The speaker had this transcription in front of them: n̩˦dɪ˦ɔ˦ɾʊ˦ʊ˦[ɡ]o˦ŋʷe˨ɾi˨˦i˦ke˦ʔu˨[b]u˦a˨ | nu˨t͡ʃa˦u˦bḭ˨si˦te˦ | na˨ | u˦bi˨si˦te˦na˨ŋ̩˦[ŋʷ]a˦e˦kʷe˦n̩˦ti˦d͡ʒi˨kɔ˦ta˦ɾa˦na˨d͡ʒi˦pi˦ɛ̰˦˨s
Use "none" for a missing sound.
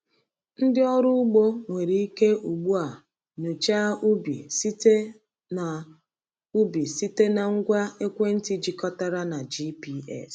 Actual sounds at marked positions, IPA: ɡ͡b, ɡ͡b, ɡʷ

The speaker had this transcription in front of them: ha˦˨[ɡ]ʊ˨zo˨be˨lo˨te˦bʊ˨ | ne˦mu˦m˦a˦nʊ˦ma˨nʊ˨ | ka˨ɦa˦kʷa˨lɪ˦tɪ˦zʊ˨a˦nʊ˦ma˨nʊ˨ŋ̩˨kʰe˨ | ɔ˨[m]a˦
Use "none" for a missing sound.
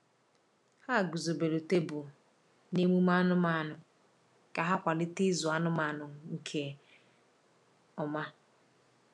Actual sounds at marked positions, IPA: ɡ, m

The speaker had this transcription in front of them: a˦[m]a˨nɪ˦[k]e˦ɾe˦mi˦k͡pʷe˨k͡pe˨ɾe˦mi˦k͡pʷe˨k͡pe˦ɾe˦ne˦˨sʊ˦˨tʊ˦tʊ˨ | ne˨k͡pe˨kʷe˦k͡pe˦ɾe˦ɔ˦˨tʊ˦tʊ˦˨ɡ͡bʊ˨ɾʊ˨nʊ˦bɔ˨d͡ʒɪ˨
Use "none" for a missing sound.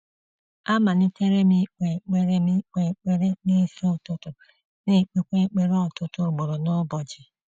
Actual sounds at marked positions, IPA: m, t

